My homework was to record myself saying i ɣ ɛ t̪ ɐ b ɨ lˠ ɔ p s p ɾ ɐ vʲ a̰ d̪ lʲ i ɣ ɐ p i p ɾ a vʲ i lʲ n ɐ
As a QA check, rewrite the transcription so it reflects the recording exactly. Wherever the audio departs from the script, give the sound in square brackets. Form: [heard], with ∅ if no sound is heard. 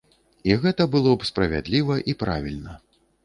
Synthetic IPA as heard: i ɣ ɛ t̪ ɐ b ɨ lˠ ɔ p s p ɾ ɐ vʲ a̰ d̪ lʲ i [v] ɐ [ʔ] i p ɾ a vʲ i lʲ n ɐ